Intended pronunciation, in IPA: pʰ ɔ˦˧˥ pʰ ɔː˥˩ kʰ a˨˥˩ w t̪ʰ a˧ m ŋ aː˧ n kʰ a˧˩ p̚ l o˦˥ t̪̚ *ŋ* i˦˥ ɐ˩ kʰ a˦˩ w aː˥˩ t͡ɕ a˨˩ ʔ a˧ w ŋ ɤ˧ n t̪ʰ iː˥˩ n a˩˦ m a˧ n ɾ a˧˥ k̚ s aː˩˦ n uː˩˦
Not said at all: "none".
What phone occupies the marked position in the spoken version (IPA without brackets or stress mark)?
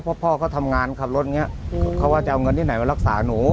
ŋ